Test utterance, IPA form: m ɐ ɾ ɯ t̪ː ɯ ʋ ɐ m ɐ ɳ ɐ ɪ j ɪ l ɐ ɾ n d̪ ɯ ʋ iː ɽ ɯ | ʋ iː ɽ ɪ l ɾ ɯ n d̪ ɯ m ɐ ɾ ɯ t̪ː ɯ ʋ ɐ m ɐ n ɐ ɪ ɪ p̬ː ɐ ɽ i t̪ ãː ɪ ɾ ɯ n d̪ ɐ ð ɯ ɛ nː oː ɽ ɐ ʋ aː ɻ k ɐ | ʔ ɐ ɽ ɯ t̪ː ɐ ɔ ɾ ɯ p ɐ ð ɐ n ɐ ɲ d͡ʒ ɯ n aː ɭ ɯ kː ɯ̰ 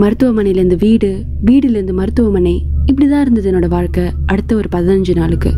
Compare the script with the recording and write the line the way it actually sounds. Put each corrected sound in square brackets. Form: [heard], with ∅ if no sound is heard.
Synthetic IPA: m ɐ ɾ ɯ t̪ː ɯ ʋ ɐ m ɐ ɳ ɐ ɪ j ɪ l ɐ ɾ n d̪ ɯ ʋ iː ɽ ɯ | ʋ iː ɽ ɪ l ɾ ɯ n d̪ ɯ m ɐ ɾ ɯ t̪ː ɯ ʋ ɐ m ɐ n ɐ ɪ ɪ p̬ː ɐ ɽ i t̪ ãː ɪ ɾ ɯ n d̪ ɐ ð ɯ ɛ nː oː ɽ ɐ ʋ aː ɻ k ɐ | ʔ ɐ ɽ ɯ t̪ː ɐ ɔ ɾ ɯ p ɐ ð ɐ n ɐ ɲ d͡ʒ ɯ n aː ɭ ɯ kː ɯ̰